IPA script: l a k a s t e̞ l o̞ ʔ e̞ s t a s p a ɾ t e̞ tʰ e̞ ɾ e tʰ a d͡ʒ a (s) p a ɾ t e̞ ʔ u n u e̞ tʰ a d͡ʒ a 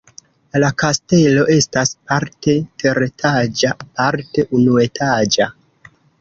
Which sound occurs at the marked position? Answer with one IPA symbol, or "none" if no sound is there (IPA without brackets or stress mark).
none